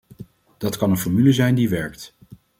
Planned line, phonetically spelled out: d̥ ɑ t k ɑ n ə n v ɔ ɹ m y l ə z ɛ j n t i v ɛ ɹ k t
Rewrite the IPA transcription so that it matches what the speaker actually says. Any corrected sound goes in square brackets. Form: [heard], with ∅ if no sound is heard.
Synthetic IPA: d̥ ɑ t k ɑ n ə n [f] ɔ ɹ m y l ə z ɛ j n [d] i [ʋ] ɛ ɹ k t

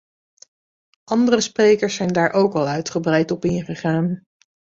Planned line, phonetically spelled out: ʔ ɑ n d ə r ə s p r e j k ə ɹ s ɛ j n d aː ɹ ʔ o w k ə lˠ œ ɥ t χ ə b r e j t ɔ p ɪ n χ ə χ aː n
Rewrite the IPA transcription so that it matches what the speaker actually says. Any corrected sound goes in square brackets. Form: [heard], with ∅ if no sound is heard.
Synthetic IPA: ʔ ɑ n d ə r ə s p r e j k ə ɹ s ɛ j n d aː ɹ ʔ o w k [ɑ] lˠ œ ɥ t χ ə b r [ɛ] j t ɔ p ɪ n χ ə χ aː n

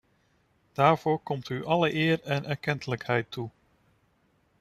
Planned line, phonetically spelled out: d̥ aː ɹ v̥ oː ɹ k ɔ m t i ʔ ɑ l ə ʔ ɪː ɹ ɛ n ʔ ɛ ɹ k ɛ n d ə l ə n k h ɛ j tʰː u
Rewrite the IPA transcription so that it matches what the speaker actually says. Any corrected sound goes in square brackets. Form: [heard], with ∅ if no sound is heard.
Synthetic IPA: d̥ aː ɹ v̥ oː ɹ k ɔ m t [y] ʔ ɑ l ə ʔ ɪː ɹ ɛ n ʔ ɛ ɹ k ɛ n [t] ə l ə [∅] k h ɛ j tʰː u

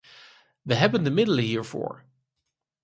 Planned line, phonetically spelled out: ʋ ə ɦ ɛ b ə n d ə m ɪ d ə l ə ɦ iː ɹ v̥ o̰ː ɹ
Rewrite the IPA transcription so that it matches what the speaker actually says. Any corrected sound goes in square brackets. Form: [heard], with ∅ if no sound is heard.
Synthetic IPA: ʋ ə ɦ ɛ b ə n d ə m ɪ d ə l ə ɦ iː ɹ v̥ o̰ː ɹ

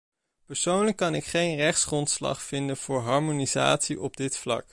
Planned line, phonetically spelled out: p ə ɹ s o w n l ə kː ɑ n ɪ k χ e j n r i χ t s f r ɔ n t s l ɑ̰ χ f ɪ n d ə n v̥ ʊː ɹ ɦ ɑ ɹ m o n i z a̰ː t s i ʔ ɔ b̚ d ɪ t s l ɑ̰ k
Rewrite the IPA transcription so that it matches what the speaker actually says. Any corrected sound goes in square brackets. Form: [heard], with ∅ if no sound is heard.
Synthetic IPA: p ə ɹ s o w n l ə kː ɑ n ɪ k χ e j n r [ɛ] χ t s [χ] r ɔ n t s l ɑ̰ χ f ɪ n d ə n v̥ ʊː ɹ ɦ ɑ ɹ m o n i z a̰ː t s i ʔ ɔ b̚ d ɪ t [f] l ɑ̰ k

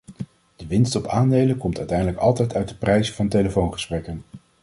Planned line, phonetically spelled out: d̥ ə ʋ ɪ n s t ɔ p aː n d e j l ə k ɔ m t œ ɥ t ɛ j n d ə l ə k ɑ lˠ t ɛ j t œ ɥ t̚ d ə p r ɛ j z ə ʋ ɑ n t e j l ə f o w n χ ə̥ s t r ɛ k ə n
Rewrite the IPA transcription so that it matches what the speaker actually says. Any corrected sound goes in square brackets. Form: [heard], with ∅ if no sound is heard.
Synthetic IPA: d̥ ə ʋ ɪ n s t ɔ p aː n d e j l ə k ɔ m t œ ɥ t ɛ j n d ə l ə k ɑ lˠ t ɛ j t œ ɥ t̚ d ə p r ɛ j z ə [v] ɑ n t e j l ə f o w n χ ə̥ s [p] r ɛ k ə n

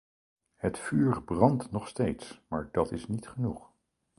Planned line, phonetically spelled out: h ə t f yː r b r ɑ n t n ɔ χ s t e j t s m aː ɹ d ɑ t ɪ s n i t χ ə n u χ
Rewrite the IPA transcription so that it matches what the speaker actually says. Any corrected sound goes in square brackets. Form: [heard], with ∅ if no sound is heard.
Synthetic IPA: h ə t f yː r b r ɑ n t n ɔ χ s t e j t s m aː ɹ d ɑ t ɪ s n i t χ ə n u χ

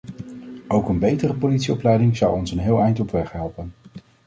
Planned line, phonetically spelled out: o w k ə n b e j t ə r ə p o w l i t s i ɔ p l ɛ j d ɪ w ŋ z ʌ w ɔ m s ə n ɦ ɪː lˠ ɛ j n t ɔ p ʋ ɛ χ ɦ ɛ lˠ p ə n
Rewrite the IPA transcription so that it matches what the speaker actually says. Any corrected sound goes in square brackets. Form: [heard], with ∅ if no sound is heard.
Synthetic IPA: o w k ə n b e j t ə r ə p o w l i t s i ɔ p l ɛ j d ɪ [∅] ŋ z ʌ w ɔ [n] s ə n ɦ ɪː lˠ ɛ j n t ɔ p ʋ ɛ χ ɦ ɛ lˠ p ə n

